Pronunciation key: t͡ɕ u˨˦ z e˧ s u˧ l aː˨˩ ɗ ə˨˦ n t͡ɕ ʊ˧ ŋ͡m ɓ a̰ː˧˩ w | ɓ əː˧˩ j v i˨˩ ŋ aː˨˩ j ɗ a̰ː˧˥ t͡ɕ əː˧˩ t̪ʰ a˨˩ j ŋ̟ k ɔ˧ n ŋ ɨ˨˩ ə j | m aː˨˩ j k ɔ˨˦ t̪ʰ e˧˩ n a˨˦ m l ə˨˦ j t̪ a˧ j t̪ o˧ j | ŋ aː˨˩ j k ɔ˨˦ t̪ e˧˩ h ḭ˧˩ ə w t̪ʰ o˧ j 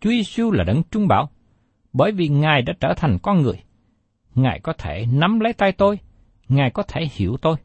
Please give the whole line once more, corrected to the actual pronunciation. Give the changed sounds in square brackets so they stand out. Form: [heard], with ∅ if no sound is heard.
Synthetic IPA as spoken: t͡ɕ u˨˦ z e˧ s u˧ l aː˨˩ ɗ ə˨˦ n t͡ɕ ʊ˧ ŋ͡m ɓ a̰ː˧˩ w | ɓ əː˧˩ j v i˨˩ ŋ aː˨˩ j ɗ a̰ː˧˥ t͡ɕ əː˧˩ t̪ʰ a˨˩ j ŋ̟ k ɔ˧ n ŋ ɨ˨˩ ə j | [ŋ] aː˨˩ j k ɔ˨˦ t̪ʰ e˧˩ n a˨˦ m l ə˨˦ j t̪ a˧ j t̪ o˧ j | ŋ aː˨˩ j k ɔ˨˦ [t̪ʰ] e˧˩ h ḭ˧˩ ə w [t̪] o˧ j